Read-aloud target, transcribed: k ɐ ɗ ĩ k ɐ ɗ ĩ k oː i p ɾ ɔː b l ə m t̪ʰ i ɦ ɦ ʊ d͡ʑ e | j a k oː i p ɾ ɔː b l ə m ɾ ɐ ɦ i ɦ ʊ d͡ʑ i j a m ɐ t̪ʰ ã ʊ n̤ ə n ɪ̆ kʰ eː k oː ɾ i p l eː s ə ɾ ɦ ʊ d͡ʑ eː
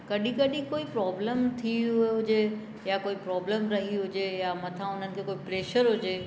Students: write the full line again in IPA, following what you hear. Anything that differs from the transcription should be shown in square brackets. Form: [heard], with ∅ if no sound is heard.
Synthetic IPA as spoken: k ɐ ɗ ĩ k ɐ ɗ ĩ k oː i p ɾ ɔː b l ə m t̪ʰ i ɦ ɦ ʊ d͡ʑ e | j a k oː i p ɾ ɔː b l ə m ɾ ɐ ɦ i ɦ ʊ d͡ʑ [e] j a m ɐ t̪ʰ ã ʊ n̤ ə n ɪ̆ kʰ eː k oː [∅] i p [ɾ] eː [ʃ] ə ɾ ɦ ʊ d͡ʑ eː